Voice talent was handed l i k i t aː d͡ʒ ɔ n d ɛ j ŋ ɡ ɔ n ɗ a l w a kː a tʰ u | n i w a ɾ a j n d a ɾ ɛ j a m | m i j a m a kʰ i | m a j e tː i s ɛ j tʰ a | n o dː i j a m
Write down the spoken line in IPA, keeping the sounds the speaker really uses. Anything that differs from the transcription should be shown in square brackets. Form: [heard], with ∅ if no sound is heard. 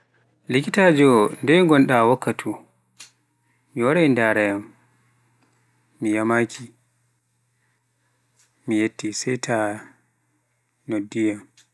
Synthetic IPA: l i k i t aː d͡ʒ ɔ n d ɛ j ŋ ɡ ɔ n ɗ a [∅] w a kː a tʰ u | [m] i w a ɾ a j n d a ɾ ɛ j a m | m i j a m a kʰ i | m [i] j e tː i s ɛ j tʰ a | n o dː i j a m